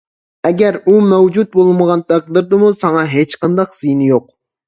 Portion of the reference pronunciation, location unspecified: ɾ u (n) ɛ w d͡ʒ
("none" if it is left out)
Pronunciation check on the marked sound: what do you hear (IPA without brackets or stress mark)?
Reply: m